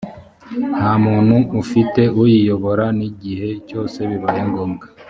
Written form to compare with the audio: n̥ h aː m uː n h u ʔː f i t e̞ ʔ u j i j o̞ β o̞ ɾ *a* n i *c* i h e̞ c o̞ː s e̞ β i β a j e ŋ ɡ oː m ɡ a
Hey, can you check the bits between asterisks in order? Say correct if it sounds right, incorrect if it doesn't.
correct, incorrect: ɟ

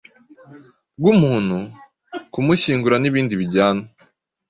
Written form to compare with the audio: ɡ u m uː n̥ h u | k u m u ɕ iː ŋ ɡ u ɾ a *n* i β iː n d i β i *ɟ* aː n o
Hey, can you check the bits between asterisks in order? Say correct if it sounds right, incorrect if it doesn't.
correct, correct

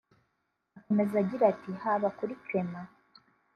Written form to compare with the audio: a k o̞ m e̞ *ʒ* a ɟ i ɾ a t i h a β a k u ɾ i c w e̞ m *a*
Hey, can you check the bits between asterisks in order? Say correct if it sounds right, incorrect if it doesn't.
incorrect: z, correct

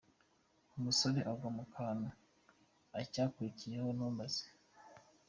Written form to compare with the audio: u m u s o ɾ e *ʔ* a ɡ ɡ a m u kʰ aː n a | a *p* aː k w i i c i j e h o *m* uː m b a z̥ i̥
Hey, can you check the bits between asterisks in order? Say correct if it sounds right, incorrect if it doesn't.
correct, incorrect: c, incorrect: n

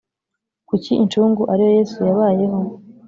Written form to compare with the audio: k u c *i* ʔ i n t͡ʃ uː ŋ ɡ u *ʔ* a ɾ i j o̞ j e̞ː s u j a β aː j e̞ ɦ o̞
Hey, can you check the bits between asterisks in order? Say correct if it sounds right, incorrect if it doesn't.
correct, correct

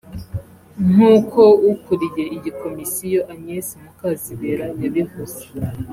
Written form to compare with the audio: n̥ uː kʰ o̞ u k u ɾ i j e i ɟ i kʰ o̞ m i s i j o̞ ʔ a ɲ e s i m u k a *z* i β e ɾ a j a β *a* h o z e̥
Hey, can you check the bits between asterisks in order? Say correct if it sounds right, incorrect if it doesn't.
correct, incorrect: i

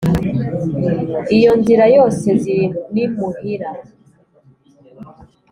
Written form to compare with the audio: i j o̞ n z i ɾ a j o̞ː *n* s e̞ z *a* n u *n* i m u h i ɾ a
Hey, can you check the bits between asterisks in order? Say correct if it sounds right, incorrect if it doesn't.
incorrect: none, incorrect: i, correct

